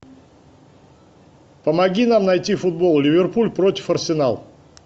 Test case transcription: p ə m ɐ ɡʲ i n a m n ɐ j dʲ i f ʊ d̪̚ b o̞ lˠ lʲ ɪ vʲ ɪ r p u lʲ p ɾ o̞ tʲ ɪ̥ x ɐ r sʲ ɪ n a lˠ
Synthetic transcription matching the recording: p ə m ɐ ɡʲ i n a m n ɐ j tʲ i f ʊ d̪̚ b o̞ lˠ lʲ ɪ vʲ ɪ r p u lʲ p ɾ o̞ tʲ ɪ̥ f ɐ r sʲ ɪ n a lˠ